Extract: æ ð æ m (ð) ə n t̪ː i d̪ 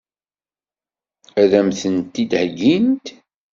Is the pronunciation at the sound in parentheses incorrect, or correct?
incorrect